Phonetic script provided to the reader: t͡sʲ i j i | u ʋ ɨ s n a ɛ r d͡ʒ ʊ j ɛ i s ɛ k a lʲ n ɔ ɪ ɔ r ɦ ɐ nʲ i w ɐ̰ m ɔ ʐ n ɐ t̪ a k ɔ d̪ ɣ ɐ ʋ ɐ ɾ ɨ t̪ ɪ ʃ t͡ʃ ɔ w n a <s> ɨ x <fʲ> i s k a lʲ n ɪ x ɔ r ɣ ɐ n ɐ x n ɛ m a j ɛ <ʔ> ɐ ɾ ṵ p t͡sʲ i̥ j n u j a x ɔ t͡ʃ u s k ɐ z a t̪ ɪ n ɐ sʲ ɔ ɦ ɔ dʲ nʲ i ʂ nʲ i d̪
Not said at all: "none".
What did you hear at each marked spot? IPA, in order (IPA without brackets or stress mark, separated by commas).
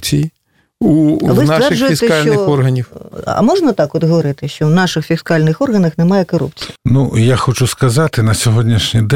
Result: ʂ, fʲ, k